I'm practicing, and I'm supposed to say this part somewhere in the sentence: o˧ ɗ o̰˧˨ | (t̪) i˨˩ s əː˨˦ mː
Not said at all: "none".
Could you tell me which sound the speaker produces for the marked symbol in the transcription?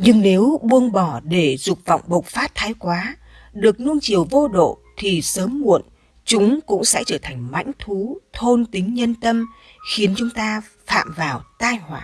t̪ʰ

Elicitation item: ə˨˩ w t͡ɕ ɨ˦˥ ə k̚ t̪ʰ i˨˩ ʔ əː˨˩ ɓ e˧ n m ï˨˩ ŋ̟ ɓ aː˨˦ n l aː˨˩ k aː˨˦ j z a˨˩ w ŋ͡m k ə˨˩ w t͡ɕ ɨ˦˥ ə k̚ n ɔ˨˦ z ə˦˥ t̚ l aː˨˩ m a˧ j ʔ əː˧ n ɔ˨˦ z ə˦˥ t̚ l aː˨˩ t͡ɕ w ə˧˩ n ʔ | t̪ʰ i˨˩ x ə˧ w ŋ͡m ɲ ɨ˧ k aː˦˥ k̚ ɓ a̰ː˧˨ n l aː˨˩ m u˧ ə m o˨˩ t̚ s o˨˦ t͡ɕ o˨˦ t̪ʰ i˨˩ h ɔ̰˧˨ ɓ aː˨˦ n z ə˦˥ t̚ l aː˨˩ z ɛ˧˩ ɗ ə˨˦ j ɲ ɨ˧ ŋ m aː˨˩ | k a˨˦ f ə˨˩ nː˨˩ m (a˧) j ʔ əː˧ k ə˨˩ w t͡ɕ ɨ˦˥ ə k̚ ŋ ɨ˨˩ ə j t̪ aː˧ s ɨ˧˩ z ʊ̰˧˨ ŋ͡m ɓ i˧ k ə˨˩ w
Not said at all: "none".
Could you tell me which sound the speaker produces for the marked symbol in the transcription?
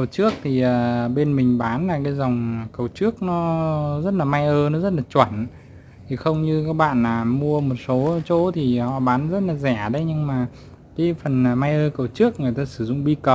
a˧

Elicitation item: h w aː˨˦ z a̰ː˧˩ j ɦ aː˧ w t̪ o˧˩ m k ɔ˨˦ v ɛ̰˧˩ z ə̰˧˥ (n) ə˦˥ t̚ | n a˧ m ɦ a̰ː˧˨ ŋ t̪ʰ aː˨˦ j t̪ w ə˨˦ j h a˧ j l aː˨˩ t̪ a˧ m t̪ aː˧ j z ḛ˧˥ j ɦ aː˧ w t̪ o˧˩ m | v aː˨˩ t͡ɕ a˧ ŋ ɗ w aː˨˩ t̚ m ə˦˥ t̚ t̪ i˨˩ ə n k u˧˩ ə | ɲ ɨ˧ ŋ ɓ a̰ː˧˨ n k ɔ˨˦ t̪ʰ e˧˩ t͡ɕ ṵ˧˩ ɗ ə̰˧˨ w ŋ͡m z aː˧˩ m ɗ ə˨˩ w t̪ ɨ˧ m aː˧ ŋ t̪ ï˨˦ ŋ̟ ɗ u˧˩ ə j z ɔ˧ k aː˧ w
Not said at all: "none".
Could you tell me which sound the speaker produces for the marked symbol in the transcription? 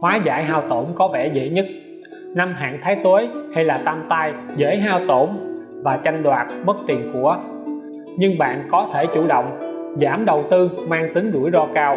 ɲ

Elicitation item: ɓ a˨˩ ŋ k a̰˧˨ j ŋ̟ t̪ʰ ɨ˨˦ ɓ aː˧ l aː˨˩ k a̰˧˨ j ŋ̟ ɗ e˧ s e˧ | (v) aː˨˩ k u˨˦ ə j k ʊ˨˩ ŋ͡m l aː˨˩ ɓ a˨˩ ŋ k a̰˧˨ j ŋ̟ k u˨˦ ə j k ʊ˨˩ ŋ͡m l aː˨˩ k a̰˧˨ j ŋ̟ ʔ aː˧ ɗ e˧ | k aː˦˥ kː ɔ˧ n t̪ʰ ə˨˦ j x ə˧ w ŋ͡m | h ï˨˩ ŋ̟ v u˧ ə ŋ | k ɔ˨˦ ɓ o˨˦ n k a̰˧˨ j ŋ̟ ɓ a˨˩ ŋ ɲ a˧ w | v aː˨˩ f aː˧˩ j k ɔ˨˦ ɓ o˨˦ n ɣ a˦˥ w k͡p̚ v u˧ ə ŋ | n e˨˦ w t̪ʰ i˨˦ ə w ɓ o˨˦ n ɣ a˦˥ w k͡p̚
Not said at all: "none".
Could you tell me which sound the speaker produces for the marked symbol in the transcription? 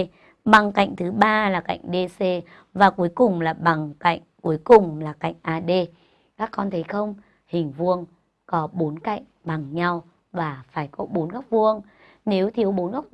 v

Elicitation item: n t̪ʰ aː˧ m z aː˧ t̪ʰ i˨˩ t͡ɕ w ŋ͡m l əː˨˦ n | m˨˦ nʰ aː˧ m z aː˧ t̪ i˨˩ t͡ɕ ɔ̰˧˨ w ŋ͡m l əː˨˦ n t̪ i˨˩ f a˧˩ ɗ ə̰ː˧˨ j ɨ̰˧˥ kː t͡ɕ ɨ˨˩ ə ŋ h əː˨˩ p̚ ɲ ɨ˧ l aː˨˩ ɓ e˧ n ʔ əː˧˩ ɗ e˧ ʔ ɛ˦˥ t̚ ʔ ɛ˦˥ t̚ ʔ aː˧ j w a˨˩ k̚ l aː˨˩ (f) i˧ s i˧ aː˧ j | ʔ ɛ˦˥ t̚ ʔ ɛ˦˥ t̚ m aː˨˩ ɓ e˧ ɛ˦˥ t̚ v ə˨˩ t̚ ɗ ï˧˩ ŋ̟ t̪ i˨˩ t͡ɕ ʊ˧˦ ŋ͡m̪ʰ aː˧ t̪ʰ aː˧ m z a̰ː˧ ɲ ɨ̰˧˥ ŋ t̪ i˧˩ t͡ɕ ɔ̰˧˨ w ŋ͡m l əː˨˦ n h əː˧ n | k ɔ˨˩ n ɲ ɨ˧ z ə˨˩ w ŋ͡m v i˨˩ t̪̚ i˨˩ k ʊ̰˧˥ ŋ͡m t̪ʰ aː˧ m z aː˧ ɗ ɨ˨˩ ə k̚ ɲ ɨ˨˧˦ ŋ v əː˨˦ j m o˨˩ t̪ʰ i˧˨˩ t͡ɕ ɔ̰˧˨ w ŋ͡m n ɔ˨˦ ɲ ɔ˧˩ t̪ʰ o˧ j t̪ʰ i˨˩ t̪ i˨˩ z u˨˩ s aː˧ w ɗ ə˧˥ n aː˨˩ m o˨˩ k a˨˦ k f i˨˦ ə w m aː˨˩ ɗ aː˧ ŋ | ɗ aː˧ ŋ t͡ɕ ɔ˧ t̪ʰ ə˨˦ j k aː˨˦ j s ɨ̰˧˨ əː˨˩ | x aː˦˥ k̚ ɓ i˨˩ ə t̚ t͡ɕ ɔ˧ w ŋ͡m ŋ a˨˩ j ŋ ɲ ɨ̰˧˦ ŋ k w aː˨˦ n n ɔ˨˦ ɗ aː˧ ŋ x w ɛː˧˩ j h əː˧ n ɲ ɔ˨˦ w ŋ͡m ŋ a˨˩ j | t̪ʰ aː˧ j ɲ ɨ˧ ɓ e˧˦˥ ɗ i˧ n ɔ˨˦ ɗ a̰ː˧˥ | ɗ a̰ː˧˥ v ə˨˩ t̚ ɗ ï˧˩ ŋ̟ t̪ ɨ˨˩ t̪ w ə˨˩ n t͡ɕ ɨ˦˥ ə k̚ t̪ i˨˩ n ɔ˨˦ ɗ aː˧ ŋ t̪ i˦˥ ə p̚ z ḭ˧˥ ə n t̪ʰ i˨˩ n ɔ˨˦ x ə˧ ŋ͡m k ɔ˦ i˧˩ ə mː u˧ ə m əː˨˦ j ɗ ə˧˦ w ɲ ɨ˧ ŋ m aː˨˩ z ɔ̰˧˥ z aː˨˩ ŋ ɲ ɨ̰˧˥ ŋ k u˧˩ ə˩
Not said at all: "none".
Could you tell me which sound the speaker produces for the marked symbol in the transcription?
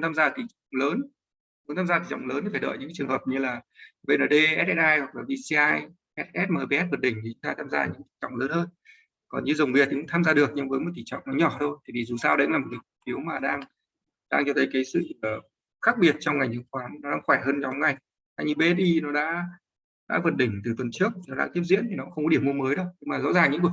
v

